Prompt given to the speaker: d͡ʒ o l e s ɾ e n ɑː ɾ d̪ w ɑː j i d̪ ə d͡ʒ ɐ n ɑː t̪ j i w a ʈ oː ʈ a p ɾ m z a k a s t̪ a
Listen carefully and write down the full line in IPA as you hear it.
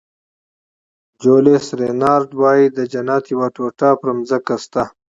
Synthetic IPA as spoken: d͡ʒ o l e s ɾ e n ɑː ɾ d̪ w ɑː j i d̪ ə d͡ʒ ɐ n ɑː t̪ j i w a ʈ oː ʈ a p ɾ m z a k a s t̪ a